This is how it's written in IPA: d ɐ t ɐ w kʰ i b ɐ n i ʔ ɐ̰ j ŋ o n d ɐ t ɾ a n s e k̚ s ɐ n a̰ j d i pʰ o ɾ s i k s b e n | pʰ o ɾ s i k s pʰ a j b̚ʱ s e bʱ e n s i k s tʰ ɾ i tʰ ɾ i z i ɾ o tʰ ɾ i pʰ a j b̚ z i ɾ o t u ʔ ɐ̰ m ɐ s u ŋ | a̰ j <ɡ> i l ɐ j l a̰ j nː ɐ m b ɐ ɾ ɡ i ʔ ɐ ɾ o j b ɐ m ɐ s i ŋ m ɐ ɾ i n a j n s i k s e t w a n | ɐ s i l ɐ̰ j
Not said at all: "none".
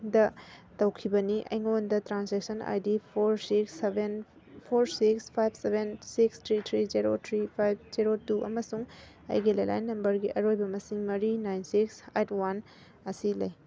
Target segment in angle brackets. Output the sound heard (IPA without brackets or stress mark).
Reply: ɡ